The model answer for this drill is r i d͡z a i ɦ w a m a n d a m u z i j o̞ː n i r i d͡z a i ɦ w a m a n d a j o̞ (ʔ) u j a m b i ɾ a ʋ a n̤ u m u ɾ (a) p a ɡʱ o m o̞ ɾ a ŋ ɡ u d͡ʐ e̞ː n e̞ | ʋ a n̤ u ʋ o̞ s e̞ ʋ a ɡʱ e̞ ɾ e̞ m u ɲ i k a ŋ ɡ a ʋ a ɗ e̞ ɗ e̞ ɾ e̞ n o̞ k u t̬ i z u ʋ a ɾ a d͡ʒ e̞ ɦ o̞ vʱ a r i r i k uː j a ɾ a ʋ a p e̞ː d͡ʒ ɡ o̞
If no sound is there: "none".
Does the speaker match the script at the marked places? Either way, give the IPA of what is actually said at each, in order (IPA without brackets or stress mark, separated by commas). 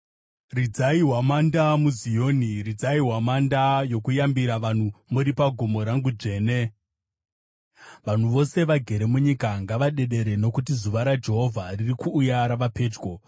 k, i